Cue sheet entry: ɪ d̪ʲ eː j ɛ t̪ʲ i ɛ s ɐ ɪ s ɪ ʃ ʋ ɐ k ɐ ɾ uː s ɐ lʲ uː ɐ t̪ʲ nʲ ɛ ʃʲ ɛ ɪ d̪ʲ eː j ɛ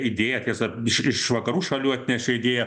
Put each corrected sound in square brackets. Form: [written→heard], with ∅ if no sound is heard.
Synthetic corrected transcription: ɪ d̪ʲ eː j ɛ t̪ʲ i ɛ s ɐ ɪ [s→ʃ] ɪ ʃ ʋ ɐ k ɐ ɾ uː [s→ʃ] ɐ lʲ uː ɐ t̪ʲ nʲ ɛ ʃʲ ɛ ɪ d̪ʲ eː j ɛ